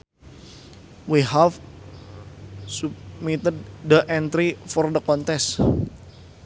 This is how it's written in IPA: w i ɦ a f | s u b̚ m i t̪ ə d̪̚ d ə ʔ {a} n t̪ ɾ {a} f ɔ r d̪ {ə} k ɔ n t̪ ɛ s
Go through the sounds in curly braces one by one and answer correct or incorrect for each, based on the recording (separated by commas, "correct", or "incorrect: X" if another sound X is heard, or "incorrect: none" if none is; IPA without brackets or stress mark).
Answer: incorrect: ɛ, incorrect: i, correct